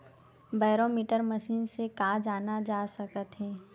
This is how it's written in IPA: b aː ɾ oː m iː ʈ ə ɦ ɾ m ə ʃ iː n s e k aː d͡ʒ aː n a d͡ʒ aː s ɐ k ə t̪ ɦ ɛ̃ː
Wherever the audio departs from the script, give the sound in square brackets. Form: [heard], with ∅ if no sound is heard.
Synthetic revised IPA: b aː ɾ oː m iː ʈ ə [∅] ɾ m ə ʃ iː n s e k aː d͡ʒ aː n a d͡ʒ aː s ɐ k ə t̪ ɦ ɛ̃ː